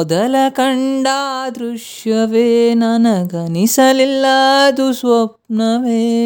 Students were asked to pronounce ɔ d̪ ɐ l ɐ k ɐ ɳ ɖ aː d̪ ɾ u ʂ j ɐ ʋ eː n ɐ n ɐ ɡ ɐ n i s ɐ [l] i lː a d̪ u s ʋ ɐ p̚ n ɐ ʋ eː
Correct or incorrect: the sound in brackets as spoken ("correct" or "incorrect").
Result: correct